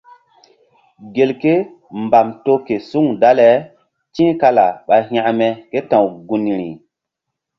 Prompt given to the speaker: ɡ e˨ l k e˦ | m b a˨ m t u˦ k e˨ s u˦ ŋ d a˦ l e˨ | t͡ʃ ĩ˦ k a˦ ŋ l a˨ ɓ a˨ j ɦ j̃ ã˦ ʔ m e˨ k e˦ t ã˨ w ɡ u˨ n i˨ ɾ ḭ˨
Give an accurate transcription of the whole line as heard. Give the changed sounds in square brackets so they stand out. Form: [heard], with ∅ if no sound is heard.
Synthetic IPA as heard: ɡ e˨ l k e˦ | m b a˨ m t [o˦] k e˨ s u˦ ŋ d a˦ l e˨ | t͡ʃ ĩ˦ k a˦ [∅] l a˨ ɓ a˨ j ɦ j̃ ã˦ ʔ m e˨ k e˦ t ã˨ w ɡ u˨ n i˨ ɾ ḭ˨